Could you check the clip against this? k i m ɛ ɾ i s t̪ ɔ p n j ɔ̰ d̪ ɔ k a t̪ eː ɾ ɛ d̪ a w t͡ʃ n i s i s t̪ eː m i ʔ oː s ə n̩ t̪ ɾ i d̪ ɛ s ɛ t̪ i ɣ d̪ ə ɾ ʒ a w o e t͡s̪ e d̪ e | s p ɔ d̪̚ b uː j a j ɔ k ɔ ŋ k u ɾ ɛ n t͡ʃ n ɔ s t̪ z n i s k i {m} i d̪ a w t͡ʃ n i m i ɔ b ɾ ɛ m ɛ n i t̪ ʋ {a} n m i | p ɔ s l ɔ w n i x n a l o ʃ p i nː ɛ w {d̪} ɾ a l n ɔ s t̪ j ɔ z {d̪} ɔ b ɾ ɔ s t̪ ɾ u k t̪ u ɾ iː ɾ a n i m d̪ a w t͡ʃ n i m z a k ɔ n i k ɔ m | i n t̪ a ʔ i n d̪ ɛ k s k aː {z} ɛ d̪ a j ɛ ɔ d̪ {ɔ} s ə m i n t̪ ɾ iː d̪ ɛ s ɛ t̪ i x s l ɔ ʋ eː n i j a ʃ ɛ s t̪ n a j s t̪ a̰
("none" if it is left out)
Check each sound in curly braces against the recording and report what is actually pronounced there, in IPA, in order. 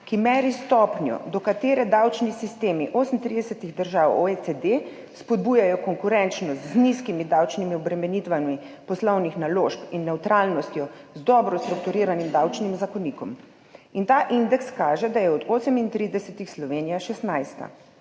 m, a, t̪, d̪, ʒ, o

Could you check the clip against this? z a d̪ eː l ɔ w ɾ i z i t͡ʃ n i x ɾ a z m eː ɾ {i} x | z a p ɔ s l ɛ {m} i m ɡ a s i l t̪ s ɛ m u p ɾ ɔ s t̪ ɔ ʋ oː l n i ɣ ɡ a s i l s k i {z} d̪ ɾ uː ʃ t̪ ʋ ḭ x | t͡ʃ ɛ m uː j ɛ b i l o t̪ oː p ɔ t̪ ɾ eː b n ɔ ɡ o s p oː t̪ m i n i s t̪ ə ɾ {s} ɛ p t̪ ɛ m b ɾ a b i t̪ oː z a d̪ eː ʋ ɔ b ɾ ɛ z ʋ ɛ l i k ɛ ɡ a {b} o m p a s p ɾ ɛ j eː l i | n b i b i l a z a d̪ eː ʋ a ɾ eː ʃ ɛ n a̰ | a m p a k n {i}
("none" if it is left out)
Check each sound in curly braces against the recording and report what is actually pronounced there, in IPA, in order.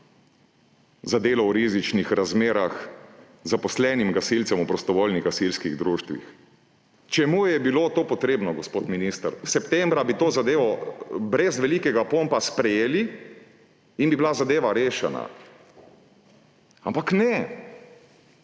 a, n, ɣ, s, p, ɛ

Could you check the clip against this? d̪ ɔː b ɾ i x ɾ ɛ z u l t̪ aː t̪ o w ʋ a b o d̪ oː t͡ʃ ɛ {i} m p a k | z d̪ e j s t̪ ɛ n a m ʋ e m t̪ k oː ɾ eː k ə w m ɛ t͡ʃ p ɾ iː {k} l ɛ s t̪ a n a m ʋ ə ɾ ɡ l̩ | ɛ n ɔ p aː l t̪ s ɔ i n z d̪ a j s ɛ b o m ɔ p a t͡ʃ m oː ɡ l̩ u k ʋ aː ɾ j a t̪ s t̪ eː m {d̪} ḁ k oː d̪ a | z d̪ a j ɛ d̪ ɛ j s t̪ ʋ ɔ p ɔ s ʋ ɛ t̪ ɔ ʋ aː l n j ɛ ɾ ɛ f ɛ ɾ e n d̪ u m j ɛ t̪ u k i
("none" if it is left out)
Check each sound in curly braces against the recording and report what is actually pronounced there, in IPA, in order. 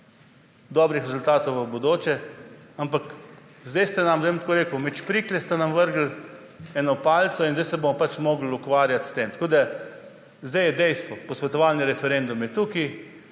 a, k, t̪

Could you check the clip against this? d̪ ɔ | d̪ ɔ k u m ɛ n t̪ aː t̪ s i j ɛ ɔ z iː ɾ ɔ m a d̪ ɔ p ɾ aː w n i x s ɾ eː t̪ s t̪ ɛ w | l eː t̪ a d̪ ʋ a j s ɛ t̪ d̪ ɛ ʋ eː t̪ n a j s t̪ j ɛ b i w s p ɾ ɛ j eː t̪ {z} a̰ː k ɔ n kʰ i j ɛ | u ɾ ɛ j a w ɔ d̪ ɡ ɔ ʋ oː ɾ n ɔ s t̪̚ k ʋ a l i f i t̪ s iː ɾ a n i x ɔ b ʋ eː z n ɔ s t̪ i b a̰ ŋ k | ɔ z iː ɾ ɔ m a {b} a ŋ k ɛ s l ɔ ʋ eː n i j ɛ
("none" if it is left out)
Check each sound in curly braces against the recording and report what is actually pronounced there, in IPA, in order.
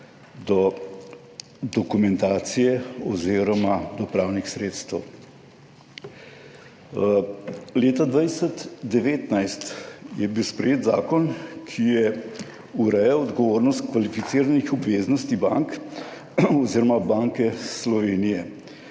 z, b

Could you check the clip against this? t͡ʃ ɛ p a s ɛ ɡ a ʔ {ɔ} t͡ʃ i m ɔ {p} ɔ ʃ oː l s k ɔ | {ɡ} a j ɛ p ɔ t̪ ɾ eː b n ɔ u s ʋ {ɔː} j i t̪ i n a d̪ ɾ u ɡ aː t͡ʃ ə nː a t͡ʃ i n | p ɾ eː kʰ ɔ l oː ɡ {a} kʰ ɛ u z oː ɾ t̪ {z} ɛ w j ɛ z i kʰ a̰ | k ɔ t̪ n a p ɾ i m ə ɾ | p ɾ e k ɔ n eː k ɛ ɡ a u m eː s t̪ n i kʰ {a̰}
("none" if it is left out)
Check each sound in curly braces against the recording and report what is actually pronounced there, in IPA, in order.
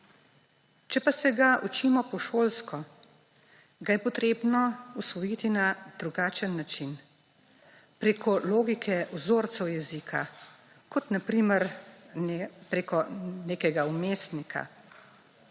u, p, ɡ, ɔ, i, s, a̰

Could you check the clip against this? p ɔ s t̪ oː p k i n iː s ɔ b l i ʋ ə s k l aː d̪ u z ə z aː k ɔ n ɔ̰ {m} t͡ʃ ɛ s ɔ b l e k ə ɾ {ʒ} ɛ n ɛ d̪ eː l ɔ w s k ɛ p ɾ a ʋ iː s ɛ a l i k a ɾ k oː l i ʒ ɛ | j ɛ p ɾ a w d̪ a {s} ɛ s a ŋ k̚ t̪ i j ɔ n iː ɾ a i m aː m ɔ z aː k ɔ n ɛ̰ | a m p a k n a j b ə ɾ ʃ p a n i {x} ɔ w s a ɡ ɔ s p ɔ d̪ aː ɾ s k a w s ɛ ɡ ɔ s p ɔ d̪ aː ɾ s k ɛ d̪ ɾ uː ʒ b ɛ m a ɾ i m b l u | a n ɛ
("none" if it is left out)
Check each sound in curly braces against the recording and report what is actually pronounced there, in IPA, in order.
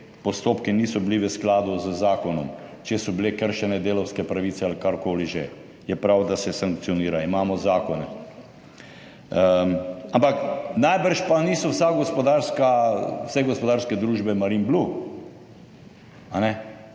m, ʃ, s, s

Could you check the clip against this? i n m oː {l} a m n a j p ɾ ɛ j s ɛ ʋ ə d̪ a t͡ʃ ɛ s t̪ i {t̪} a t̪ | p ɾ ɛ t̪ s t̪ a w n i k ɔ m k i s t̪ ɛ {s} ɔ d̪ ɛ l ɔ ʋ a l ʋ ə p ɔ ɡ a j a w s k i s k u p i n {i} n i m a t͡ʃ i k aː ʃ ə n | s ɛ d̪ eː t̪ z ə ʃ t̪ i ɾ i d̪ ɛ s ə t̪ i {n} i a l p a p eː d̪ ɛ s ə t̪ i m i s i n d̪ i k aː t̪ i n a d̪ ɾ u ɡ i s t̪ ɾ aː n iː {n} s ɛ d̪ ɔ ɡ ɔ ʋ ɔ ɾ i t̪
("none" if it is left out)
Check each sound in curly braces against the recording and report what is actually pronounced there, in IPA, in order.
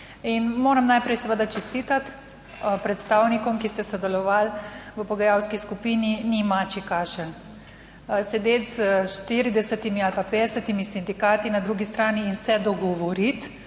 ɾ, t̪, s, i, m, n

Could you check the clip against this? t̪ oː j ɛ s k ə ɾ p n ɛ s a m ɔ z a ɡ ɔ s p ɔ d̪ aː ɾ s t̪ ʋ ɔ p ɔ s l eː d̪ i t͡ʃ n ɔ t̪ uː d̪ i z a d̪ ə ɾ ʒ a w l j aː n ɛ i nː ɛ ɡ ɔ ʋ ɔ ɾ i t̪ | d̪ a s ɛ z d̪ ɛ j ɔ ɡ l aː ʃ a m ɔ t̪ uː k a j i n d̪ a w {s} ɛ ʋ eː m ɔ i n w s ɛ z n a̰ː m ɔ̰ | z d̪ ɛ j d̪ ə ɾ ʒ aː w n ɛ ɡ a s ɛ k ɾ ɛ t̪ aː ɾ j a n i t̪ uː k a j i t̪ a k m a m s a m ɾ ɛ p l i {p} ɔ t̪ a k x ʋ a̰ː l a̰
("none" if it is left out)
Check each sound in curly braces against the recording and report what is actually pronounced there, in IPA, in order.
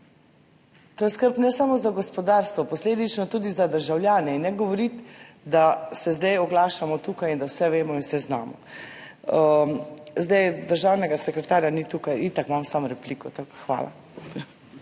s, k

